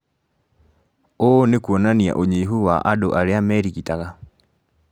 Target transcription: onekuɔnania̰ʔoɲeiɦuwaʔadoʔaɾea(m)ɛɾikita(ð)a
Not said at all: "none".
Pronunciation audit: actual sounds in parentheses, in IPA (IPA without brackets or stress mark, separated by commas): m, ɣ